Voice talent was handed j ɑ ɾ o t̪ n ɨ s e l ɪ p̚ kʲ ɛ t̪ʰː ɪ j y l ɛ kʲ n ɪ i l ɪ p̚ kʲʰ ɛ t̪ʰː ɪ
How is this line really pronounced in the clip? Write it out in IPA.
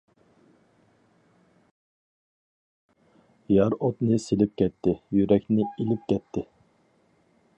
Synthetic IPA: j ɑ ɾ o t̪ n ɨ s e l ɪ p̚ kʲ ɛ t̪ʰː ɪ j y ɾ ɛ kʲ n ɪ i l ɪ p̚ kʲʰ ɛ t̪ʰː ɪ